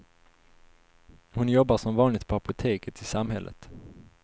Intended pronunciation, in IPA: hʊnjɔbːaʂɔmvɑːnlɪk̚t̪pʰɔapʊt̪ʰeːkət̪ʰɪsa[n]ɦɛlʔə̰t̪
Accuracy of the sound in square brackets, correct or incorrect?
incorrect